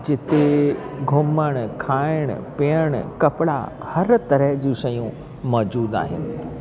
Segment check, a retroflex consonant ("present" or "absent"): present